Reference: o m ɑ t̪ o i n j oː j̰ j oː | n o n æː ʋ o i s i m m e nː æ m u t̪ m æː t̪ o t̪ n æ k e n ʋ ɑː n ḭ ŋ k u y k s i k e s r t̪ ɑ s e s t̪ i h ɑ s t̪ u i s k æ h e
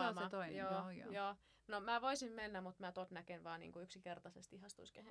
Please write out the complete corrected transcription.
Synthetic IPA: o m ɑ t̪ o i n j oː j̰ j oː | n o m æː ʋ o i s i m m e nː æ m u t̪ m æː t̪ o t̪ n æ k e n ʋ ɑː n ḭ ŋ k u y k s i k e r t̪ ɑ s e s t̪ i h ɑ s t̪ u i s k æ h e